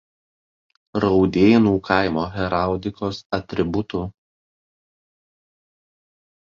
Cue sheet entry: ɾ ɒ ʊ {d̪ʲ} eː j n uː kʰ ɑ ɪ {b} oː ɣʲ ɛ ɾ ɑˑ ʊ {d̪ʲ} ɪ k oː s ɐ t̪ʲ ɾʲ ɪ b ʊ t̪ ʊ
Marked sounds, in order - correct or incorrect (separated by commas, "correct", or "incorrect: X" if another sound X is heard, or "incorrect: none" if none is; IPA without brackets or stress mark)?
correct, incorrect: m, correct